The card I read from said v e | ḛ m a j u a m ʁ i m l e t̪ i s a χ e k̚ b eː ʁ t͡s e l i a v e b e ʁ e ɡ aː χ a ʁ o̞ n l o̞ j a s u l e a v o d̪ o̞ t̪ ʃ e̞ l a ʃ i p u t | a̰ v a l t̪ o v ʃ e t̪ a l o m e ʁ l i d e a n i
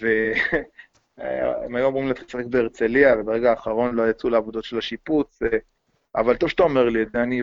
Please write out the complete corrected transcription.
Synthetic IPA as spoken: v e | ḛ m a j u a m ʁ i m l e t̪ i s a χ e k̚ b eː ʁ t͡s e l i a v e b e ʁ e ɡ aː χ a ʁ o̞ n l o̞ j a t͡s u l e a v o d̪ o̞ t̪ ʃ e̞ l a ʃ i p u t͡s | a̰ v a l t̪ o v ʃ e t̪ a o m e ʁ l i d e a n i